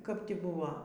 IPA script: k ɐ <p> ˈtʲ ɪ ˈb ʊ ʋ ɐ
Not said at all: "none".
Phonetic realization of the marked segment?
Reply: p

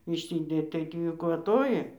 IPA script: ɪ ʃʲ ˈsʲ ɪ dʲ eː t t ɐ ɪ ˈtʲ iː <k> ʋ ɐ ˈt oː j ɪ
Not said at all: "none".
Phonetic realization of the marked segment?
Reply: k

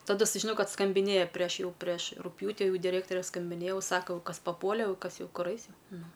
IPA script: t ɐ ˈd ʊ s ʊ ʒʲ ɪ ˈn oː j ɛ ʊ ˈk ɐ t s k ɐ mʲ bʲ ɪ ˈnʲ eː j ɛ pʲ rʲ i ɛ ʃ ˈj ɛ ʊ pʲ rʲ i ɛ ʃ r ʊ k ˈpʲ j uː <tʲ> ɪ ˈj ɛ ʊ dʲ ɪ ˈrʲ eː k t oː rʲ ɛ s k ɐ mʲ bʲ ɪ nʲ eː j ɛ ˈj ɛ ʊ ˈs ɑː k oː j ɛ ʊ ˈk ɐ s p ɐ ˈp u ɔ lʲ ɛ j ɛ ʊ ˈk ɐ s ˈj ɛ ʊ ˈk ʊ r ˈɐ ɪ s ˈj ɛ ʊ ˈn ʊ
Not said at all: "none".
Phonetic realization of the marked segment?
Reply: tʲ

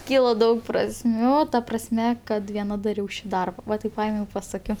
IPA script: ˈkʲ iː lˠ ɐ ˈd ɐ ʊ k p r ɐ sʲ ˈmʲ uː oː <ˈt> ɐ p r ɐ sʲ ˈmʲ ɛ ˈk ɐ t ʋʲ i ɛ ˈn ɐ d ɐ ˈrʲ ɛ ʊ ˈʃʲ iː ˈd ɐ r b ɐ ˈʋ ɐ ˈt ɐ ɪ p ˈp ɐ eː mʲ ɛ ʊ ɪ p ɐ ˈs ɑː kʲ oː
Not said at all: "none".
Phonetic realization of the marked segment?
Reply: t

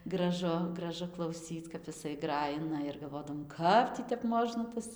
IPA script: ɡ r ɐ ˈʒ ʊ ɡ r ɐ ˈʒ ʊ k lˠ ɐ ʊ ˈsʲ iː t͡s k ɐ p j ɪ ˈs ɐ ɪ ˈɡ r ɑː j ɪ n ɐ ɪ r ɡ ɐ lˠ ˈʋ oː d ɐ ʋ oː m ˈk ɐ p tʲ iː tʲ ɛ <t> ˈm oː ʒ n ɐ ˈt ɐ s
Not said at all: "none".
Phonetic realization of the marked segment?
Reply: p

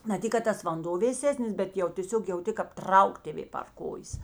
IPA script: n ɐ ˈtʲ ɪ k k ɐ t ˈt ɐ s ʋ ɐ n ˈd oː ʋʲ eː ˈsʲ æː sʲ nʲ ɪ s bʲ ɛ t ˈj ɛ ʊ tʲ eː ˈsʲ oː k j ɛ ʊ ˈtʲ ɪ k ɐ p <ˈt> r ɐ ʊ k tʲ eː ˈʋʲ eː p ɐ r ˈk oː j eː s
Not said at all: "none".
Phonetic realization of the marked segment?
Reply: t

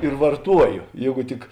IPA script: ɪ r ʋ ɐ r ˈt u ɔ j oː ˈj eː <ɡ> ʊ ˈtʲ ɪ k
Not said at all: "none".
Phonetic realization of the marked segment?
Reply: ɡ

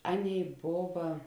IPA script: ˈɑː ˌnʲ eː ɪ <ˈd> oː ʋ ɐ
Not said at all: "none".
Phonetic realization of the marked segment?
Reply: b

